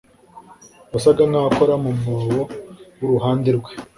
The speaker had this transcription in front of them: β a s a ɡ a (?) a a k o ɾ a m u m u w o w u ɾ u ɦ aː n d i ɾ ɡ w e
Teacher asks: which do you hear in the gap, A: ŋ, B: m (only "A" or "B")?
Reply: A